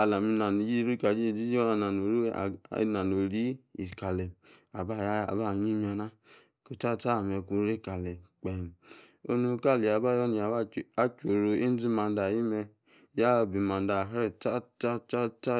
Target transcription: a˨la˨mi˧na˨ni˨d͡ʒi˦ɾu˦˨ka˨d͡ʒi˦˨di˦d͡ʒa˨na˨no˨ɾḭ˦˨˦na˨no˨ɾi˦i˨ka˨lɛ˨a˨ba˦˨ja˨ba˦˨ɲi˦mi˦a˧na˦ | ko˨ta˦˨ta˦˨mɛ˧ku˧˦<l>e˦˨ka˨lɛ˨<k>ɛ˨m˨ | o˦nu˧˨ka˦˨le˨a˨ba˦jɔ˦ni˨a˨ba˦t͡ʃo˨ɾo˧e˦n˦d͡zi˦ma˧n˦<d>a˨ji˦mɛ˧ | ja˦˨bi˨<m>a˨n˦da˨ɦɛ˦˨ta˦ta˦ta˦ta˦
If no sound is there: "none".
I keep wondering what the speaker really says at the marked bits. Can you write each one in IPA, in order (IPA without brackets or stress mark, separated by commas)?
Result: ɾ, k͡p, d, m